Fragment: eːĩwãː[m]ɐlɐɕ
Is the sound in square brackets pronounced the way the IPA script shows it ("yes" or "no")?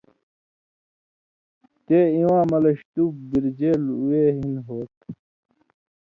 yes